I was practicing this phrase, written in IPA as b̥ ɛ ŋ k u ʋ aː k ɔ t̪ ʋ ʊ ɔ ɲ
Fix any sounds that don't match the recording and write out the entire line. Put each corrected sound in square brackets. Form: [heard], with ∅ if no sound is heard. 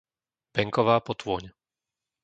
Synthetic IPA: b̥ ɛ ŋ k [ɔ] ʋ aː [p] ɔ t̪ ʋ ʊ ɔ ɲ